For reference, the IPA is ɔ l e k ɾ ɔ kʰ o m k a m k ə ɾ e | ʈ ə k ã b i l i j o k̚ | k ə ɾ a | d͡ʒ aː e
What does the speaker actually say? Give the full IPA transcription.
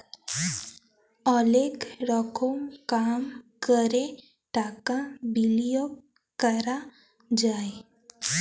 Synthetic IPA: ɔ l e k ɾ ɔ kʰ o m k a m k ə ɾ e | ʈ a k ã b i l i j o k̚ | k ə ɾ a | d͡ʒ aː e